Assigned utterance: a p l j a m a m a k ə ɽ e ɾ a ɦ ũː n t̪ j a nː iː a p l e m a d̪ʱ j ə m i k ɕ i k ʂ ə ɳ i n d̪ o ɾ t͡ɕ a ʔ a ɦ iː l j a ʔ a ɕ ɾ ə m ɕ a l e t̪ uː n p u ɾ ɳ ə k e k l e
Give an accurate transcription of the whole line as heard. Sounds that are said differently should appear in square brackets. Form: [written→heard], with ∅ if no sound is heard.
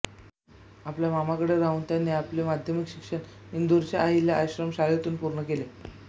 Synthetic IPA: a p l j a m a m a k ə ɽ e ɾ a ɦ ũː n t̪ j a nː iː a p l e m a d̪ʱ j ə m i k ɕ i k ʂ ə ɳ i n d̪ [o→u] ɾ t͡ɕ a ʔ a ɦ [iː→i] l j a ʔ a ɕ ɾ ə m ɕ a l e t̪ uː n p u ɾ ɳ ə k e [k→∅] l e